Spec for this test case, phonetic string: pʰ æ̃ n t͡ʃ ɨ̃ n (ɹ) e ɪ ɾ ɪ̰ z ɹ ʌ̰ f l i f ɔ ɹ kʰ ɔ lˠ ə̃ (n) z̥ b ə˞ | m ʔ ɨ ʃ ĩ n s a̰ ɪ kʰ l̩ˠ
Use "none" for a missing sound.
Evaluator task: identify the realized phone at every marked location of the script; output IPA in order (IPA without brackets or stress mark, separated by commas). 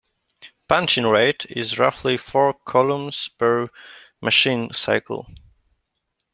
ɹ, m